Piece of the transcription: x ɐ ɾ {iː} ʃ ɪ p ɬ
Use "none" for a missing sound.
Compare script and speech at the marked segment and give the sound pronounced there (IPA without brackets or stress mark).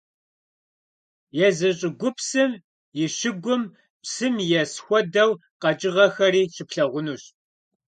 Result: iː